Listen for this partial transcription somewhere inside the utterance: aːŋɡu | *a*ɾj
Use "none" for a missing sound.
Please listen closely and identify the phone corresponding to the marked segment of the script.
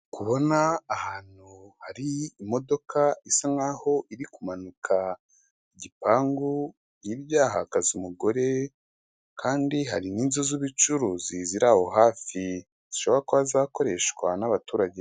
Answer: i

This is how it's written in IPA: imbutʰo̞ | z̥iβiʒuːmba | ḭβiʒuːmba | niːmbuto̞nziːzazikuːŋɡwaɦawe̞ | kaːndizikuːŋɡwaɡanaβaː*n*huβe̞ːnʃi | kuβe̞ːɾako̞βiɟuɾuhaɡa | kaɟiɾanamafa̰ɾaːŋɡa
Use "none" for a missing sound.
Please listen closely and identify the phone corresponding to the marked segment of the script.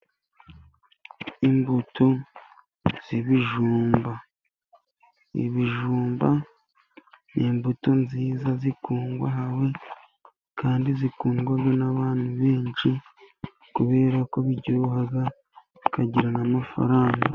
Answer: n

